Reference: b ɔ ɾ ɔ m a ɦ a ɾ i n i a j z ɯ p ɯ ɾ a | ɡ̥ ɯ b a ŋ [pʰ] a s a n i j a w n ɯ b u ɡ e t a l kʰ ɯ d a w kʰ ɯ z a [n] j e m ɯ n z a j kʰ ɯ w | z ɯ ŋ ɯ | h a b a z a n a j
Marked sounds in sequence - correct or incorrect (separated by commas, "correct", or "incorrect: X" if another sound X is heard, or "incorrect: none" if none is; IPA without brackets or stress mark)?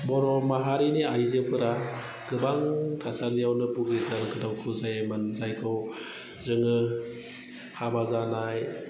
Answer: incorrect: tʰ, incorrect: none